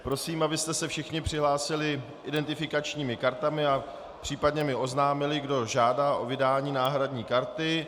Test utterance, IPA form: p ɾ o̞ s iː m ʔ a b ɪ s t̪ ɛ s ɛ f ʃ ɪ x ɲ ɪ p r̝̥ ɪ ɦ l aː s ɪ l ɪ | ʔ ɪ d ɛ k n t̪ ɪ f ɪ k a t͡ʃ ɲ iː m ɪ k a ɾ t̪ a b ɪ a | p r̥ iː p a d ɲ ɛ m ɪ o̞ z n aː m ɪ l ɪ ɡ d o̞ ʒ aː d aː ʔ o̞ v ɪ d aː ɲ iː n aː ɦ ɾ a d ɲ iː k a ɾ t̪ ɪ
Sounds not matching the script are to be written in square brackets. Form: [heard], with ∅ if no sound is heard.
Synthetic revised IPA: p ɾ o̞ s iː m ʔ a b ɪ s t̪ ɛ s ɛ f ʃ ɪ x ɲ ɪ p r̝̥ ɪ ɦ l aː s ɪ l ɪ | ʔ ɪ d ɛ [∅] n t̪ ɪ f ɪ k a t͡ʃ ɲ iː m ɪ k a ɾ t̪ a [m] ɪ a | p r̥ iː p a d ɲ ɛ m ɪ o̞ z n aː m ɪ l ɪ ɡ d o̞ ʒ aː d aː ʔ o̞ v ɪ d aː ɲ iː n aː ɦ ɾ a d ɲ iː k a ɾ t̪ ɪ

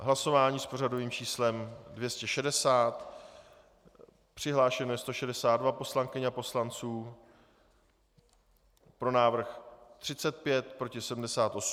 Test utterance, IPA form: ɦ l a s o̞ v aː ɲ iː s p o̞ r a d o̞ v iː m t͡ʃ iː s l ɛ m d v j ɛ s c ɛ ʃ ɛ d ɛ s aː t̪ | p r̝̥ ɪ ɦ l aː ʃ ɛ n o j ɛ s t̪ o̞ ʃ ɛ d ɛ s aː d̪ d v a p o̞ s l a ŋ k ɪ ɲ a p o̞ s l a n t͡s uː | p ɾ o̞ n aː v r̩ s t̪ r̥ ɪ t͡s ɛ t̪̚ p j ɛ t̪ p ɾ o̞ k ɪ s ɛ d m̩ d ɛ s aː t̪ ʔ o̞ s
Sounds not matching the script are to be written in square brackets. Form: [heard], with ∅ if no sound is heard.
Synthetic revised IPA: ɦ l a s o̞ v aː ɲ iː s p o̞ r a d o̞ v iː m t͡ʃ iː s l ɛ m d v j ɛ s c ɛ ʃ ɛ d ɛ s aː t̪ | p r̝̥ ɪ ɦ l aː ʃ ɛ n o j ɛ s t̪ o̞ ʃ ɛ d ɛ s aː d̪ d v a p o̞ s l a ŋ k ɪ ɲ a p o̞ s l a n t͡s uː | p ɾ o̞ n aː v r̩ [x] t̪ r̥ ɪ t͡s ɛ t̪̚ p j ɛ t̪ p ɾ o̞ [c] ɪ s ɛ d m̩ d ɛ s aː t̪ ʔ o̞ s

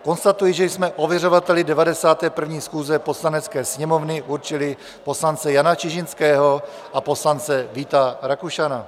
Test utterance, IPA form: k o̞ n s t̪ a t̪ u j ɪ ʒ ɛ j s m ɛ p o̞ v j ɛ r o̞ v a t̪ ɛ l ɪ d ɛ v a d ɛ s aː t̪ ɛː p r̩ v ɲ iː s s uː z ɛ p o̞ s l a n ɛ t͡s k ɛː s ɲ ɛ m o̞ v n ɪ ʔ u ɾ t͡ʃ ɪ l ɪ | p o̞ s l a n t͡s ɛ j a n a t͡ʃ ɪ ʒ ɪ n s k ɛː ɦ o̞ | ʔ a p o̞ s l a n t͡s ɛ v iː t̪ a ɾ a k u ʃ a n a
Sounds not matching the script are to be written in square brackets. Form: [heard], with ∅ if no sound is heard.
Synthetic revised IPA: k o̞ n s t̪ a t̪ u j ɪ ʒ ɛ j s m ɛ [ʔ] o̞ v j ɛ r o̞ v a t̪ ɛ l ɪ d ɛ v a d ɛ s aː t̪ ɛː p r̩ v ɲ iː s [x] uː z ɛ p o̞ s l a n ɛ t͡s k ɛː s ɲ ɛ m o̞ v n ɪ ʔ u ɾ t͡ʃ ɪ l ɪ | p o̞ s l a n t͡s ɛ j a n a t͡ʃ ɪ ʒ ɪ n s k ɛː ɦ o̞ | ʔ a p o̞ s l a n t͡s ɛ v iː t̪ a ɾ a k u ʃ a n a

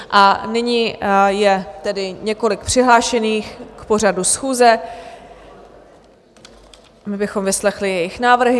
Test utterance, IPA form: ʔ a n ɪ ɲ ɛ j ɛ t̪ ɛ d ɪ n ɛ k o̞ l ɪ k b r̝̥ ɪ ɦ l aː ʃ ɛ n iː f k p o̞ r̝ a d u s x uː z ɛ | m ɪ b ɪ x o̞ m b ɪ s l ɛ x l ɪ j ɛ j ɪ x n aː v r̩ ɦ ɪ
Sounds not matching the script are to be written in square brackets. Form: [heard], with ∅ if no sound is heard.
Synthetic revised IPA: ʔ a n ɪ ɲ [i] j ɛ t̪ ɛ d ɪ [ɲ] ɛ k o̞ l ɪ k [p] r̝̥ ɪ ɦ l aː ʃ ɛ n iː [x] k p o̞ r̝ a d u s x uː z ɛ | m ɪ b ɪ x o̞ m [v] ɪ s l ɛ x l ɪ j ɛ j ɪ x n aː v r̩ ɦ ɪ

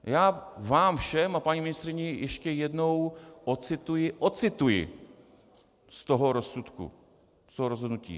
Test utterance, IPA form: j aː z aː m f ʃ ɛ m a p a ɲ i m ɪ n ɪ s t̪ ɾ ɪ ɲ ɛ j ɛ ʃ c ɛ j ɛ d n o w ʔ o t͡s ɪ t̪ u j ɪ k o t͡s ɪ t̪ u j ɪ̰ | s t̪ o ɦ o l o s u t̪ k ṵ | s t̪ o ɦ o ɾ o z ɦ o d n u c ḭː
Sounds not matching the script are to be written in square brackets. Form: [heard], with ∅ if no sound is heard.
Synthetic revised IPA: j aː [v] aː m f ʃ ɛ m a p a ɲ i m ɪ n ɪ s t̪ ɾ ɪ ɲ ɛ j ɛ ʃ c ɛ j ɛ d n o w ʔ o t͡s ɪ t̪ u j ɪ [ʔ] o t͡s ɪ t̪ u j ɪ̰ | s t̪ o ɦ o [ɾ] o s u t̪ k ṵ | s t̪ o ɦ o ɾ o z ɦ o d n u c ḭː

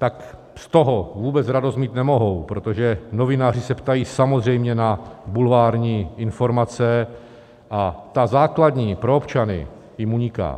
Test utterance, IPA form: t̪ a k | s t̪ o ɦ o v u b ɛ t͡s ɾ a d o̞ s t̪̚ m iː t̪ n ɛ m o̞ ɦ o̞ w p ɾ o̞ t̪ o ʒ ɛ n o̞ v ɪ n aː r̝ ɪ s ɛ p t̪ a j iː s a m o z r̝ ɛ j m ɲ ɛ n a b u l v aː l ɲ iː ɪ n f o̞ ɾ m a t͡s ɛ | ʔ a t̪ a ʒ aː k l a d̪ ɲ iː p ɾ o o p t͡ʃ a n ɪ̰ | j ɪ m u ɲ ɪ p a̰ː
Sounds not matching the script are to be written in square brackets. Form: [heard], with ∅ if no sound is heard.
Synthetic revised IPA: t̪ a k | s t̪ o ɦ o v [uː] b ɛ t͡s ɾ a d o̞ s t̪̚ m iː t̪ n ɛ m o̞ ɦ o̞ w p ɾ o̞ t̪ o ʒ ɛ n o̞ v ɪ n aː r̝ ɪ s ɛ p t̪ a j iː s a m o z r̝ ɛ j m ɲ ɛ n a b u l v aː [ɾ] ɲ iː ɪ n f o̞ ɾ m a t͡s ɛ | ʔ a t̪ a [z] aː k l a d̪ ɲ iː p ɾ o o p t͡ʃ a n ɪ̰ | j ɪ m u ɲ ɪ [k] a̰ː

